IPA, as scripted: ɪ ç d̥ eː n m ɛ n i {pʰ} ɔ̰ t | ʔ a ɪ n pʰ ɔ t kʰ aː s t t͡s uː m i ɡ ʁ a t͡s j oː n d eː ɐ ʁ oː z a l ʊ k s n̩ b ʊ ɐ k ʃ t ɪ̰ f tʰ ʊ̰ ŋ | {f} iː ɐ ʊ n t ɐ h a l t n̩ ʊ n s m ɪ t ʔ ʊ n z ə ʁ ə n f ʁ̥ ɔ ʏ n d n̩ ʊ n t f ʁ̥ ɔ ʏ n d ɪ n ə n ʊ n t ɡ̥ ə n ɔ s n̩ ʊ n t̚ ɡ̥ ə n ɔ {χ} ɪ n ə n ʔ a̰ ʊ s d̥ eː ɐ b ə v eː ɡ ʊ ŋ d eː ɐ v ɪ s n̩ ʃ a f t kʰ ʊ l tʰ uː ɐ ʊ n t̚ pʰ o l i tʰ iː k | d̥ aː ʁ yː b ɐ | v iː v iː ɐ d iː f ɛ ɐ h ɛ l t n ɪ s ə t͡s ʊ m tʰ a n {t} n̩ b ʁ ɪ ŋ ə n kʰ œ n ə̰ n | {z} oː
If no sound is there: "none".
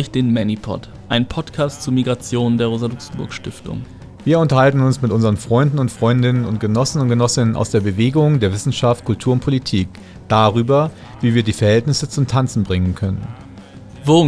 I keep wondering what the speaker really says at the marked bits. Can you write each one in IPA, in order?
pʰ, v, s, t͡s, v

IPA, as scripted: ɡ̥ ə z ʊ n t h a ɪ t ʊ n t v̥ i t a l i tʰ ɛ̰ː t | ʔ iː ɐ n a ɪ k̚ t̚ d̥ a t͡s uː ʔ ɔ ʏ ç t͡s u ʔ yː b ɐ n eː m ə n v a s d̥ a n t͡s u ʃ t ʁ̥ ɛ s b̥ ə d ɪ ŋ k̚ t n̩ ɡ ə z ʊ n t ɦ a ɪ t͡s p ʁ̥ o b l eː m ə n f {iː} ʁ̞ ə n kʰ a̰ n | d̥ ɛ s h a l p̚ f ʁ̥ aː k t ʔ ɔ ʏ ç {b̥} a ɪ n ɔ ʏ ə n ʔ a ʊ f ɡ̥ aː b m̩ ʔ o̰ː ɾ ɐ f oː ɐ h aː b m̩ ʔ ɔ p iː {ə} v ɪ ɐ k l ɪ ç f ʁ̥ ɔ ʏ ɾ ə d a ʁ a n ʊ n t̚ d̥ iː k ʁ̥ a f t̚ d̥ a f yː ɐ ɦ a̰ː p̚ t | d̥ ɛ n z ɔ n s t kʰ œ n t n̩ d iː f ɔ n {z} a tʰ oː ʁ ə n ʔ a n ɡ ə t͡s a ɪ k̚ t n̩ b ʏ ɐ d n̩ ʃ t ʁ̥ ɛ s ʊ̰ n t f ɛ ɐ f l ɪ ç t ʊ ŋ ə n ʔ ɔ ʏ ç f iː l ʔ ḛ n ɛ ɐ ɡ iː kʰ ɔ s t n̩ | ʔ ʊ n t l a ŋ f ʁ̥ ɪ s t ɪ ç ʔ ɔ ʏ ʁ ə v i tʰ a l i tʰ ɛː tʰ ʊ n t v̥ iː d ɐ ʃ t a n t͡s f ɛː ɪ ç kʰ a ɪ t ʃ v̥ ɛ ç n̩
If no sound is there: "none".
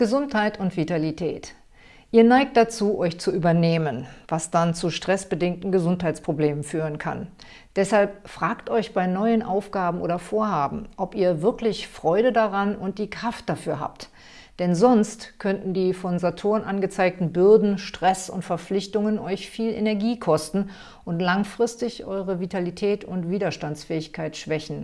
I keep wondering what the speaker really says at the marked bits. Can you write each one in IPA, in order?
yː, b̥, ɐ, z

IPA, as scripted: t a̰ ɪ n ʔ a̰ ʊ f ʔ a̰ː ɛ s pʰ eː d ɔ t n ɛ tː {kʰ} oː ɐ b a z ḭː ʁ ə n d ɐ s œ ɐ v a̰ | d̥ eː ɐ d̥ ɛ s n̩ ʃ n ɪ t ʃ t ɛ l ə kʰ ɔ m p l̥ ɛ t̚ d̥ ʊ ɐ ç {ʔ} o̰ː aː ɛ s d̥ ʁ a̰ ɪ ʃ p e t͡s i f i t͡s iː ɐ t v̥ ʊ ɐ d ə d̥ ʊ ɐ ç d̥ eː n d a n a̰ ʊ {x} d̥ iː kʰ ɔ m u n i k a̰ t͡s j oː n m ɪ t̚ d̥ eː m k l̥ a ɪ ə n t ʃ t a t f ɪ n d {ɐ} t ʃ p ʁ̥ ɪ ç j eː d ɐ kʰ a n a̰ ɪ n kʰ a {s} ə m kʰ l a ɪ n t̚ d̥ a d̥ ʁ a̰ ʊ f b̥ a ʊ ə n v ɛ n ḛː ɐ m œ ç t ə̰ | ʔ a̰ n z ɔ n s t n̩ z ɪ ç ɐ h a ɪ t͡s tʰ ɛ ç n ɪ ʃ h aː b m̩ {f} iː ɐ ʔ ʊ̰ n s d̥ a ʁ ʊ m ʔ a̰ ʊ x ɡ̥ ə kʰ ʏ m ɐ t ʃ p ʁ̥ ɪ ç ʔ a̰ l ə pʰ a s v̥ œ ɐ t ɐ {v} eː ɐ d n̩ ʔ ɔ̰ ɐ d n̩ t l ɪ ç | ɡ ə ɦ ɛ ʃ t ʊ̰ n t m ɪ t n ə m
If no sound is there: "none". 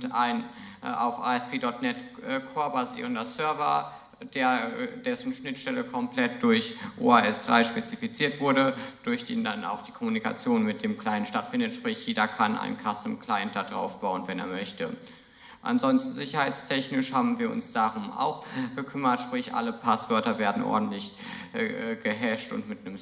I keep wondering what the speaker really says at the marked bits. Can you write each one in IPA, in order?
kʰ, ʔ, x, ə, s, v, v

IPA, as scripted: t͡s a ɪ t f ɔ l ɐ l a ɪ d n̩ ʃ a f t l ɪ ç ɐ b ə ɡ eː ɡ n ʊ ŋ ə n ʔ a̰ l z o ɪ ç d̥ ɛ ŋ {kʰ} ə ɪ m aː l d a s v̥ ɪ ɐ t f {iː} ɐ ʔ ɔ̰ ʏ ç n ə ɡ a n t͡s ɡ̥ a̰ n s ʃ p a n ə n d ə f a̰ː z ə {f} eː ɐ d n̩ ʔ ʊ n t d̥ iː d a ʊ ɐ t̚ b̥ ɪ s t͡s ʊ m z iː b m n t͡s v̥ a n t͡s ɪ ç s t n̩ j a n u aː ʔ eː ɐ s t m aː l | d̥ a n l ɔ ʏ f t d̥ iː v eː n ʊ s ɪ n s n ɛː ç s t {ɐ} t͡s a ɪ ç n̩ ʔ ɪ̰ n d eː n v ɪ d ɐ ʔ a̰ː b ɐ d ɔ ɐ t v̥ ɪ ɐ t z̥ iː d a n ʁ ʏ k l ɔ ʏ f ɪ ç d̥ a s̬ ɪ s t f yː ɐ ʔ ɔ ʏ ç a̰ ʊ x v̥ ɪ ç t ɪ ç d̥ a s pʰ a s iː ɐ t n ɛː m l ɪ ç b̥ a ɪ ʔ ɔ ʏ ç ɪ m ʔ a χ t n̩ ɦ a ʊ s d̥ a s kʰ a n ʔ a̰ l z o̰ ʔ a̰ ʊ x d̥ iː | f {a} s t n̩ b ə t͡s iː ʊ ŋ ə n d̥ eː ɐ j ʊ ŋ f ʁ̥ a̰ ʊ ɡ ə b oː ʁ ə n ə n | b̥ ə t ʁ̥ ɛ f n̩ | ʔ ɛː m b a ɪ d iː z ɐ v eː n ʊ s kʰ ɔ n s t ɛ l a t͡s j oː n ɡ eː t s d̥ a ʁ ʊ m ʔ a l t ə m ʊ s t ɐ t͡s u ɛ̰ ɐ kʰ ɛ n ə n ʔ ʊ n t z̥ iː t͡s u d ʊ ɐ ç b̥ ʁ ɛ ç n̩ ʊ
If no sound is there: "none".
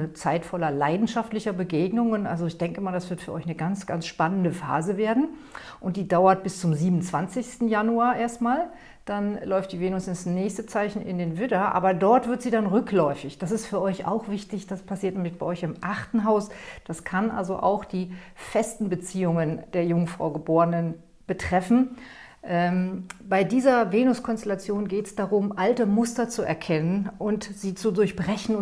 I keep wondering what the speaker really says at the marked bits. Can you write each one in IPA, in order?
k, yː, v, ə, ɛ

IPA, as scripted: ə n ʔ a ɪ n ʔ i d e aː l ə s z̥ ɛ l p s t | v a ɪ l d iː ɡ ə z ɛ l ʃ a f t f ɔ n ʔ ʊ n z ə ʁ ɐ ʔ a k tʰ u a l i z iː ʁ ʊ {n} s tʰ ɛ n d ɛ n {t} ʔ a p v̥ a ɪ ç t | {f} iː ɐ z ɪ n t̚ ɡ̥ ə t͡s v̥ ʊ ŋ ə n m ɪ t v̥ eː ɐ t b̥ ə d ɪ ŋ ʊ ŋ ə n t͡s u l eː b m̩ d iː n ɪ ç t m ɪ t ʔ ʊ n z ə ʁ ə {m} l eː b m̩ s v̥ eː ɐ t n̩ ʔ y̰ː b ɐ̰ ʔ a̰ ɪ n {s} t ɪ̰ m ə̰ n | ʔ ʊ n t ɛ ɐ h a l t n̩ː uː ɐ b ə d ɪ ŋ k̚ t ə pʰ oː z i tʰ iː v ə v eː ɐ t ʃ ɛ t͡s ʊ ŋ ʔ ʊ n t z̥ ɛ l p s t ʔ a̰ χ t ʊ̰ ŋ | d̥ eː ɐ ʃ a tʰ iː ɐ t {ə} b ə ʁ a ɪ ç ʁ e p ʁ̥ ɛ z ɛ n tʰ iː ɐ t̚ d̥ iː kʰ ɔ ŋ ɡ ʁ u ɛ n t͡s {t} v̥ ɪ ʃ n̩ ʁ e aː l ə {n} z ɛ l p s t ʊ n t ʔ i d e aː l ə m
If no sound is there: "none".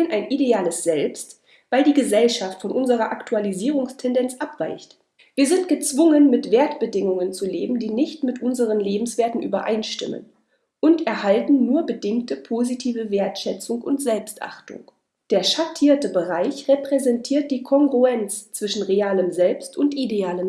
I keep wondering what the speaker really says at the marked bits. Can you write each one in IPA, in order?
ŋ, t͡s, v, n, ʃ, ə, t͡s, m

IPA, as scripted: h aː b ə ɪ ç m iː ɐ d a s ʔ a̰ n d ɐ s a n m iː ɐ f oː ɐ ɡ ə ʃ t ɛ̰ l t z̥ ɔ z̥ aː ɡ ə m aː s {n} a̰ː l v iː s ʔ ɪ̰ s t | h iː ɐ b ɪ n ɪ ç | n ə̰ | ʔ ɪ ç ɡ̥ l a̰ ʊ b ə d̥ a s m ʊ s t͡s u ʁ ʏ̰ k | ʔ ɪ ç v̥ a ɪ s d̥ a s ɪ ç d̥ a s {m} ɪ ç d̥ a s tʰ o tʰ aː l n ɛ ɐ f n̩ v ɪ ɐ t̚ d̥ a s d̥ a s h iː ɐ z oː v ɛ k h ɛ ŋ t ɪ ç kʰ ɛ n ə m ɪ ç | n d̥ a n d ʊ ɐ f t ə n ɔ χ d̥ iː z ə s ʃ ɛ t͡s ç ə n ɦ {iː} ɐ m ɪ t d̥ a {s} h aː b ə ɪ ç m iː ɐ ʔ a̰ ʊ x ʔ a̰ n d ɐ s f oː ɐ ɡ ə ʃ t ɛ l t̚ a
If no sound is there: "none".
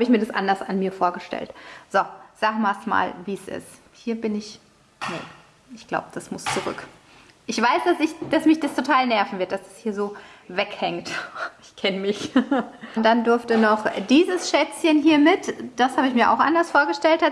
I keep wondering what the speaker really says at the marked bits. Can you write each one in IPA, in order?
m, m, iː, s

